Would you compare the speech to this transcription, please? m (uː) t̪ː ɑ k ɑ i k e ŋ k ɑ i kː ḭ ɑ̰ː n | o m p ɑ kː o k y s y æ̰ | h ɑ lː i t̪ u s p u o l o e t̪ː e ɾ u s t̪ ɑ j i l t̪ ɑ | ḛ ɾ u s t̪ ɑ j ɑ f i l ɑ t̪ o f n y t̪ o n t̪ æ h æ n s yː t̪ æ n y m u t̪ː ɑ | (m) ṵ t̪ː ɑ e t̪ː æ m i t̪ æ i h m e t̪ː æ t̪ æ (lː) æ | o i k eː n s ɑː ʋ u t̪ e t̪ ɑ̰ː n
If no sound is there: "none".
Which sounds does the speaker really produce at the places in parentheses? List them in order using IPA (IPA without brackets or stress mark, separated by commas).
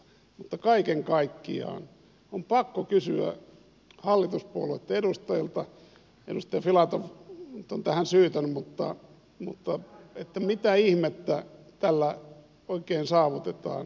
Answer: u, m, lː